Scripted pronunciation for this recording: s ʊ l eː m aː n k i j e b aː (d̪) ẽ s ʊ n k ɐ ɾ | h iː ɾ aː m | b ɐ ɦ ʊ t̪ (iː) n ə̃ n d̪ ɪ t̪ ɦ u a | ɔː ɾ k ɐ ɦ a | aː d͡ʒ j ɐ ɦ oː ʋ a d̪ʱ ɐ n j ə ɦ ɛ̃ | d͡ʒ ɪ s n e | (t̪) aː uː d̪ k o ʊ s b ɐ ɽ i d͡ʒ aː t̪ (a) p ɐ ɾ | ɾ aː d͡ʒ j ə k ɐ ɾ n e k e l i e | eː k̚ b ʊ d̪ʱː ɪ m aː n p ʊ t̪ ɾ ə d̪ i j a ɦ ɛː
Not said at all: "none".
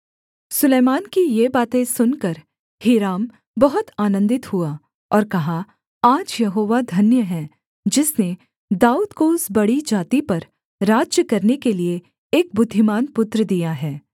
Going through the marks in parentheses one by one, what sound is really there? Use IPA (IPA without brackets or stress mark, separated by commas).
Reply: t̪, aː, d̪, i